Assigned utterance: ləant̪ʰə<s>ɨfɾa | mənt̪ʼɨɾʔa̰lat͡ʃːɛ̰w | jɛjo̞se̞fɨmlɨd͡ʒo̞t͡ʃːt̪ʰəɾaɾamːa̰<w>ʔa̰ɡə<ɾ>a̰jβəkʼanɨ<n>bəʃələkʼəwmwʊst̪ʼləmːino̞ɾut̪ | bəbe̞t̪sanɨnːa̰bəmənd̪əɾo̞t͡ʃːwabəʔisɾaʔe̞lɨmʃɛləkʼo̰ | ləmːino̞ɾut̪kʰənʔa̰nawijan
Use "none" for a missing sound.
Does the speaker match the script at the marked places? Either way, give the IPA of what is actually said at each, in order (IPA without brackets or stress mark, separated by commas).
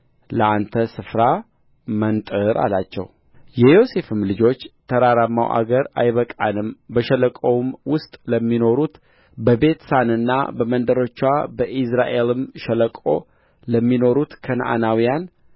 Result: s, w, ɾ, m